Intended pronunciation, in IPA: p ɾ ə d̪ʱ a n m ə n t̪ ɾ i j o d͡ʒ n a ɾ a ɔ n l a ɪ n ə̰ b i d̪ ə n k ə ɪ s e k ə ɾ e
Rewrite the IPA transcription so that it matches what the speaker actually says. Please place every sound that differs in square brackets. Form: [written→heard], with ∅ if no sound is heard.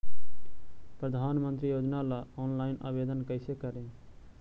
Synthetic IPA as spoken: p ɾ ə d̪ʱ a n m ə n t̪ ɾ i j o d͡ʒ n a [ɾ→l] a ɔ n l a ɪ n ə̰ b [i→e] d̪ ə n k ə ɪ s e k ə ɾ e

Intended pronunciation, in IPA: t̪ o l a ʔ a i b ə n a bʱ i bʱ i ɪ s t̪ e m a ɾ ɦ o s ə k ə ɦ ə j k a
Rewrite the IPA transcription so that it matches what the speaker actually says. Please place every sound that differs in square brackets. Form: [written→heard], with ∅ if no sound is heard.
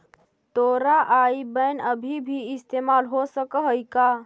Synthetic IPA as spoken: t̪ o [l→ɾ] a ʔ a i b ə n [a→ə] bʱ i bʱ i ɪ s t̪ e m a [ɾ→l] ɦ o s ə k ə ɦ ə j k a

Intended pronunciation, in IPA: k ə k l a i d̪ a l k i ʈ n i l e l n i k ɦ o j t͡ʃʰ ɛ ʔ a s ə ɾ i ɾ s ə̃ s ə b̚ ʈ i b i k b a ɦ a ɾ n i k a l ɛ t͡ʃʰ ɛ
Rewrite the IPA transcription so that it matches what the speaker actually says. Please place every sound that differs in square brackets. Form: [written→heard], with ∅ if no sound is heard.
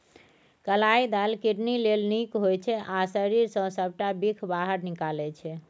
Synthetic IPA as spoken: k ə [k→∅] l a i d̪ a l k i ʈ n i l e l n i k ɦ o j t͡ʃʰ ɛ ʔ a s ə ɾ i ɾ s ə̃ s ə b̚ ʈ [i→a] b i [k→kʰ] b a ɦ [a→ə] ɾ n i k a l ɛ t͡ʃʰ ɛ

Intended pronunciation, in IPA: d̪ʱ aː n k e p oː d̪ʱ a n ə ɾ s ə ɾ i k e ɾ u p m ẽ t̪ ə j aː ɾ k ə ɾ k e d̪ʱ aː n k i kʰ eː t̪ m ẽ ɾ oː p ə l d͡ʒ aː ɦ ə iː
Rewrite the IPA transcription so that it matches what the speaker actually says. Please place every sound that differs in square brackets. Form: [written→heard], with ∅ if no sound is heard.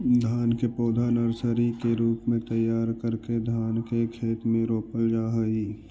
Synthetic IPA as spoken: d̪ʱ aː n k e p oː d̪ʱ a n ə ɾ s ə ɾ i k e ɾ [u→uː] p m ẽ t̪ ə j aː ɾ k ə ɾ k e d̪ʱ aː n k [i→e] kʰ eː t̪ m ẽ ɾ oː p ə l d͡ʒ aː ɦ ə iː

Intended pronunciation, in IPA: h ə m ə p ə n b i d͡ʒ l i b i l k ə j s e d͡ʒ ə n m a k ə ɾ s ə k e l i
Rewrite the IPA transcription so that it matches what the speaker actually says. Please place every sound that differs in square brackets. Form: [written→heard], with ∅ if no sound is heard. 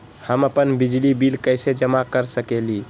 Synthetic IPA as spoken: h ə m ə p ə n b i d͡ʒ l i b i l k ə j s e d͡ʒ ə [n→∅] m a k ə ɾ s ə k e l i

